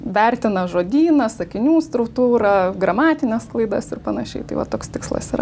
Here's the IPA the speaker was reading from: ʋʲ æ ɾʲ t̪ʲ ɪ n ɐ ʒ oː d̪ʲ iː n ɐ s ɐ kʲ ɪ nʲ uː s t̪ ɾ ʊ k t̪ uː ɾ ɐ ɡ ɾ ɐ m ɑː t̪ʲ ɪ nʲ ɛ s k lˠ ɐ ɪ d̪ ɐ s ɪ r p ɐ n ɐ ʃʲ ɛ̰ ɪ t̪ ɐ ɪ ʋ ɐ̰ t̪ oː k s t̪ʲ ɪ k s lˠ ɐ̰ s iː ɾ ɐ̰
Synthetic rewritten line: ʋʲ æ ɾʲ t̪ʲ ɪ n ɐ ʒ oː d̪ʲ iː n ɐ s ɐ kʲ ɪ nʲ uː s t̪ ɾ ʊ k t̪ uː ɾ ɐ ɡ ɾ ɐ m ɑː t̪ʲ ɪ nʲ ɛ s k lˠ ɐ ɪ d̪ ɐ s ɪ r p ɐ n ɐ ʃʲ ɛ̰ ɪ t̪ ɐ ɪ ʋ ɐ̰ t̪ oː k s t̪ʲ ɪ k s lˠ ɐ̰ s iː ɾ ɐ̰